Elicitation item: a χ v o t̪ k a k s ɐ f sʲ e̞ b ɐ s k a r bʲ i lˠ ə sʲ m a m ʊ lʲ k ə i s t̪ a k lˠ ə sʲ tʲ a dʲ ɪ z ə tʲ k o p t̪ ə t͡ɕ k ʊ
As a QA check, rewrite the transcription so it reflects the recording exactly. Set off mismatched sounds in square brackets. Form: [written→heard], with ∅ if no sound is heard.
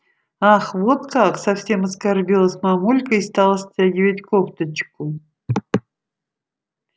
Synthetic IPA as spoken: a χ v o t̪ k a k s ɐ f sʲ e̞ [b→m] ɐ s k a r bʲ i lˠ ə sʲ m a m [ʊ→u] lʲ k ə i s t̪ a [k→∅] lˠ ə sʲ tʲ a [dʲ→ɡʲ] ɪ [z→v] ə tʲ k o p t̪ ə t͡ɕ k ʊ